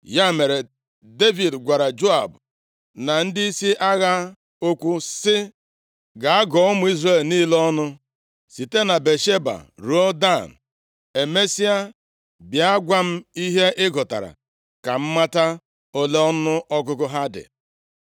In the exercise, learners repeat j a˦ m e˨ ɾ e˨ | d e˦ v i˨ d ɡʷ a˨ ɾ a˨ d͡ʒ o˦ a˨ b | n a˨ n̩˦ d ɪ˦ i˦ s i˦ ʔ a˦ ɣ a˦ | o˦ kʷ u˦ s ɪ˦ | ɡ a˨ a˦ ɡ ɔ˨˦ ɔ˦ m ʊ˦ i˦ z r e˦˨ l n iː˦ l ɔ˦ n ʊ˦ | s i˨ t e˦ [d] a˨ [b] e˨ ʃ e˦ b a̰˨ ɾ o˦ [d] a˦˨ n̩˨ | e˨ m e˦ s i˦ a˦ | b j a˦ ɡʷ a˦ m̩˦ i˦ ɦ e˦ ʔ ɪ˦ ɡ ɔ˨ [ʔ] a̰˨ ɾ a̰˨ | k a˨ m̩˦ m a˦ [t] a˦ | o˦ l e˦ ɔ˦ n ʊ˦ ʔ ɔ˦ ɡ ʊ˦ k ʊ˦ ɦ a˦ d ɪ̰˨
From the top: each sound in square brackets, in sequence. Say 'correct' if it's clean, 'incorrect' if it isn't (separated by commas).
incorrect, correct, correct, incorrect, correct